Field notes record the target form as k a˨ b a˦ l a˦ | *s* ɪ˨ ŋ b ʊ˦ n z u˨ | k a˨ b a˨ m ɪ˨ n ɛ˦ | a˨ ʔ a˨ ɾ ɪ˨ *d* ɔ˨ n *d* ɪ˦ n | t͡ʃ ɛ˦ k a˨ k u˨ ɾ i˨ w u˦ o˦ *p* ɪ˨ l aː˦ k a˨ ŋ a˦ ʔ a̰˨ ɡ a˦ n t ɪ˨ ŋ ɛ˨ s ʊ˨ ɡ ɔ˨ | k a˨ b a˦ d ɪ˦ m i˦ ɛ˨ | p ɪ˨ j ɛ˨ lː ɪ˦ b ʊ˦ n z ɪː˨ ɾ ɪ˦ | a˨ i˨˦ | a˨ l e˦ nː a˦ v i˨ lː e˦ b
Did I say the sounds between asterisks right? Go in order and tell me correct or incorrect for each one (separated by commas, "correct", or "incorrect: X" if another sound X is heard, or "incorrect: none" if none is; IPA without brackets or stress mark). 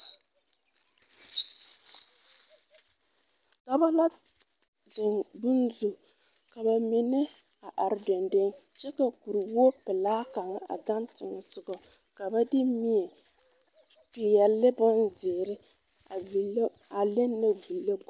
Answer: incorrect: z, correct, correct, correct